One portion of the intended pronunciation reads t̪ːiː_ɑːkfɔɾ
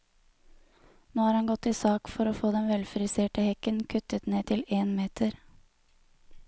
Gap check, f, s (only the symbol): s